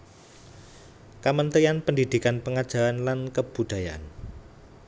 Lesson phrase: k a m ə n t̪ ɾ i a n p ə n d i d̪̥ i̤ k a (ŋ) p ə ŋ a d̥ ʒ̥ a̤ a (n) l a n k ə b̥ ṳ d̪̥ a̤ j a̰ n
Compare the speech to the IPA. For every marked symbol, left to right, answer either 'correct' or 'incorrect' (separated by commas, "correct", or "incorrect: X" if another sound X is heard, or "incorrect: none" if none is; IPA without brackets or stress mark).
incorrect: n, correct